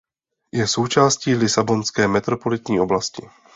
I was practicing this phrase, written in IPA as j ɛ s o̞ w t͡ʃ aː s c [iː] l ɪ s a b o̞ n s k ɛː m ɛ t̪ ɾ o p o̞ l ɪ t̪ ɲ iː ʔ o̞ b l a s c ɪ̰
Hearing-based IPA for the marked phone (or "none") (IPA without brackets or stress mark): iː